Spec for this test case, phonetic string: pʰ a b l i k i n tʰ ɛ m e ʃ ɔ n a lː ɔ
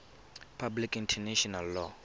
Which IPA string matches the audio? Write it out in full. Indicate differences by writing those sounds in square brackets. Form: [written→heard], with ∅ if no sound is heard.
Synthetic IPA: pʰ a b l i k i n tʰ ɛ [m→n] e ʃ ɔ n a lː ɔ